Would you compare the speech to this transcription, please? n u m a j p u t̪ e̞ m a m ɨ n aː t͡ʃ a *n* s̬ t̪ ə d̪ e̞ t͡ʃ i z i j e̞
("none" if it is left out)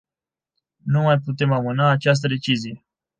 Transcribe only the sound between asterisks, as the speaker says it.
none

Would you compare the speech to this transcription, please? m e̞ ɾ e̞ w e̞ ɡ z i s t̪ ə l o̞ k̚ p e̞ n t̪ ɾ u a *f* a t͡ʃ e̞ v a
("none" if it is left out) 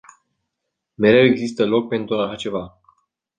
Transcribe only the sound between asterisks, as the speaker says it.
ʃ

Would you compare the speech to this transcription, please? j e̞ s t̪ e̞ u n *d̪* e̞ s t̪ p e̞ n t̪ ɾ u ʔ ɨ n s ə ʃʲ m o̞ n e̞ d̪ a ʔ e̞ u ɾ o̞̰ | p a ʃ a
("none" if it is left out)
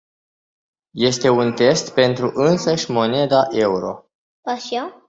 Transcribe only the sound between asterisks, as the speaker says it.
t̪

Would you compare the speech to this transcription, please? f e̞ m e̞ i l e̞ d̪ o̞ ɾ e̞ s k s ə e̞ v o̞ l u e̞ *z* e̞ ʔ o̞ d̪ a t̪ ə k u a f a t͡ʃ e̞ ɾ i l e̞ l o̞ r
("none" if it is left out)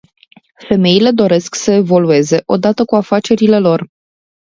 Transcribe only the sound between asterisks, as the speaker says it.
z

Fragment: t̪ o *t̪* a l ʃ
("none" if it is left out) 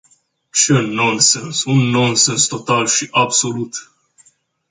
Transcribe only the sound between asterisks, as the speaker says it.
t̪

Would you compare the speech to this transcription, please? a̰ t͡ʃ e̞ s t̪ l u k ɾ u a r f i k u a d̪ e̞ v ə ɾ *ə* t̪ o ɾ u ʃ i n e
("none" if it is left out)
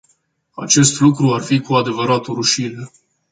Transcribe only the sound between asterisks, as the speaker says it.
a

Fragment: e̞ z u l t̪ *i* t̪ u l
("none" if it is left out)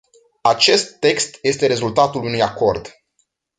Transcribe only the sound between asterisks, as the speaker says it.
a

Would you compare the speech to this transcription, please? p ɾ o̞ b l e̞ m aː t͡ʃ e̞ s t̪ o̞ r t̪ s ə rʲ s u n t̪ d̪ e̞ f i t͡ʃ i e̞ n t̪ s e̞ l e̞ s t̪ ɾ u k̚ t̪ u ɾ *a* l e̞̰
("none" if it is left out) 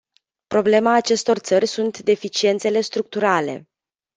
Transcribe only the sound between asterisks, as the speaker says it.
a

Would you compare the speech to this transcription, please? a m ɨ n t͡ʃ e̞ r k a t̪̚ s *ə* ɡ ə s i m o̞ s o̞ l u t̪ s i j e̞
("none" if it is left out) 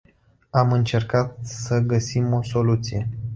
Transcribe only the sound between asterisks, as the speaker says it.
ə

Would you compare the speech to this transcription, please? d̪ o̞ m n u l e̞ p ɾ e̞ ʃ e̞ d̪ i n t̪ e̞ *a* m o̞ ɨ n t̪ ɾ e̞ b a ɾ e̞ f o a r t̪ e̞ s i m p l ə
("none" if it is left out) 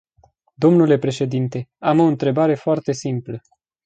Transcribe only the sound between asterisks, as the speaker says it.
a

